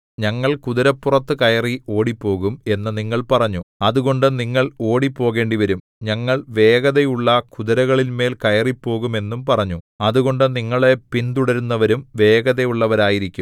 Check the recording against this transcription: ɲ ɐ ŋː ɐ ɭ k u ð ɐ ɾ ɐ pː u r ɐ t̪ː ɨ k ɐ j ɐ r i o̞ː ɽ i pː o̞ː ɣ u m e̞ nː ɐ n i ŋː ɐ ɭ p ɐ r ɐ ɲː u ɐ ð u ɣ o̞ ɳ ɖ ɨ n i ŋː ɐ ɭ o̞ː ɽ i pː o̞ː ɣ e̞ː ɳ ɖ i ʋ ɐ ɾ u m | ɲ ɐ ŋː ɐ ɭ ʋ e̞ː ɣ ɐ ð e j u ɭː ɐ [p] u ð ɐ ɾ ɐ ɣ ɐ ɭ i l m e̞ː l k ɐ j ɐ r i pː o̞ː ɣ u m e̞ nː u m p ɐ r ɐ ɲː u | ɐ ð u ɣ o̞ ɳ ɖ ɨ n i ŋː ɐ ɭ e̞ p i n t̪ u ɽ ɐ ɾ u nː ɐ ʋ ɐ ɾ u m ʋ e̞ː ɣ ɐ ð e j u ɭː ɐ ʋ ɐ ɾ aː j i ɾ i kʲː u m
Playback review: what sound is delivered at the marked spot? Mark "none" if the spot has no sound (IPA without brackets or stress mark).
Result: k